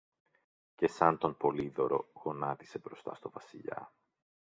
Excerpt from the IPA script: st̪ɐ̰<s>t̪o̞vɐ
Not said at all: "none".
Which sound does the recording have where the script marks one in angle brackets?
s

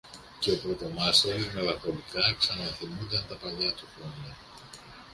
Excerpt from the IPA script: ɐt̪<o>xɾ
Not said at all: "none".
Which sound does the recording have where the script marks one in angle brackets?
u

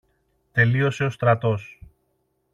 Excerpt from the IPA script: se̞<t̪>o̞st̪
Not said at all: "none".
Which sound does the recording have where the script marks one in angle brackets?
none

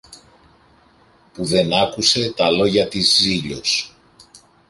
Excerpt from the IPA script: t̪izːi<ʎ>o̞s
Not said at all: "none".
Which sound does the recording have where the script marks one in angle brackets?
ʎ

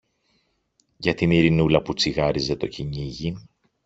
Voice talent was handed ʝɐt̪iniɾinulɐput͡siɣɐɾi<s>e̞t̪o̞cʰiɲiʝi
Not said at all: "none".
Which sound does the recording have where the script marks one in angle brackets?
z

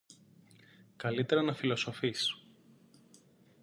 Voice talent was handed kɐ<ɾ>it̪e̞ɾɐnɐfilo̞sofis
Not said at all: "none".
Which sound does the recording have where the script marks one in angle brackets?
l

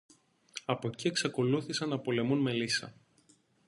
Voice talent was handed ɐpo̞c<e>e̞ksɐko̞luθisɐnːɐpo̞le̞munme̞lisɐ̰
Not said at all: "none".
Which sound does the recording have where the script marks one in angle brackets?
i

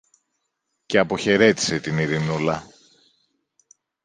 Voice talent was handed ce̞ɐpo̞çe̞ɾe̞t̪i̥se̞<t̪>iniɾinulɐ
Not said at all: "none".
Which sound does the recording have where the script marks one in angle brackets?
t̪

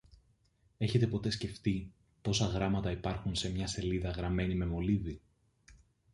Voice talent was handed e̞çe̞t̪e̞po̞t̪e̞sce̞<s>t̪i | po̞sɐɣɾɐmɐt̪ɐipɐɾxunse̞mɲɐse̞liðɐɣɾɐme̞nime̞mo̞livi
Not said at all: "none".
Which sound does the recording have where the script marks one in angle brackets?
f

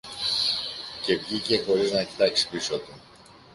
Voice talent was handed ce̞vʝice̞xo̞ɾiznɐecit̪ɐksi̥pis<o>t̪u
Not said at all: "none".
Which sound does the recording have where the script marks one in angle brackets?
o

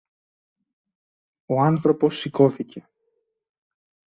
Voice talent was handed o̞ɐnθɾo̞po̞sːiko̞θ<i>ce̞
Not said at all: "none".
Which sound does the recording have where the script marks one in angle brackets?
i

